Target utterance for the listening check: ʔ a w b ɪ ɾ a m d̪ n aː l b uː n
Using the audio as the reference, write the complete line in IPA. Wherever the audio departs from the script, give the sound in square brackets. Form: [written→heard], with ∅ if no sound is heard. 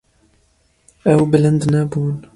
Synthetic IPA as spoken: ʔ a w b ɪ [ɾ→l] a [m→n] d̪ n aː [l→∅] b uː n